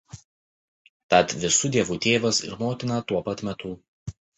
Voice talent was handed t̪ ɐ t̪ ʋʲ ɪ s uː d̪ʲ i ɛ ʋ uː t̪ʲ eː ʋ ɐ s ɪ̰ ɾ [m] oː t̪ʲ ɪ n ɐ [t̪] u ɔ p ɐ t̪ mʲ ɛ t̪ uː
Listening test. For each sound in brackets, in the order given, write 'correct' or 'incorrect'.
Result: correct, correct

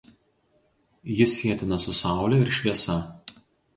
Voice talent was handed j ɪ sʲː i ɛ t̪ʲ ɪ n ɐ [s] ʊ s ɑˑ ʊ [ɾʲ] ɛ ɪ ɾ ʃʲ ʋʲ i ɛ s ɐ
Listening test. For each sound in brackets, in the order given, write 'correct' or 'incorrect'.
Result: correct, incorrect

